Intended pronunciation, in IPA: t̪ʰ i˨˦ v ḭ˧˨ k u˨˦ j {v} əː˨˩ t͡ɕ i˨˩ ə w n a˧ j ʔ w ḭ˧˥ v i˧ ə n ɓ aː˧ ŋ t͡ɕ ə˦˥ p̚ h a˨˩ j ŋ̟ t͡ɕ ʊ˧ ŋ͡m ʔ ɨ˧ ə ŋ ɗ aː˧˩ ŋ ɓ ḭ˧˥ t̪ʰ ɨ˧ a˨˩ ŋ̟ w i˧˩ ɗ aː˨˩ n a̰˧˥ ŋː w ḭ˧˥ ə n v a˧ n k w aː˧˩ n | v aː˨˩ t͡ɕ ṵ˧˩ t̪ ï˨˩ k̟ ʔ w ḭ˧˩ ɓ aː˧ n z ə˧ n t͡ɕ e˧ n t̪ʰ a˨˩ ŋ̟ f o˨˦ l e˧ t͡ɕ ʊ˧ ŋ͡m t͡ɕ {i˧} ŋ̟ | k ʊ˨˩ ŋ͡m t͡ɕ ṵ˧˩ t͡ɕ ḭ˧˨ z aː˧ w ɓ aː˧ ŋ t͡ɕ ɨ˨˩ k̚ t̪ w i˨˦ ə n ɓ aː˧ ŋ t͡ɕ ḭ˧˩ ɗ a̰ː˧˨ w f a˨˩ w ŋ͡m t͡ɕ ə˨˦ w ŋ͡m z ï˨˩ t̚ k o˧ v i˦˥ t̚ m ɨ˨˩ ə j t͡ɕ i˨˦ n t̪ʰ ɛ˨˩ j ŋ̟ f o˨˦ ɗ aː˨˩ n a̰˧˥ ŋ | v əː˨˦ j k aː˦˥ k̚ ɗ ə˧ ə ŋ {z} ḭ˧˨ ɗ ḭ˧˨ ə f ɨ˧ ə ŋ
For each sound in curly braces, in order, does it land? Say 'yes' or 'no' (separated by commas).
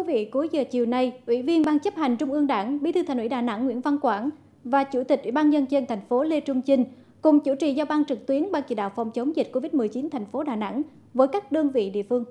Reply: no, yes, no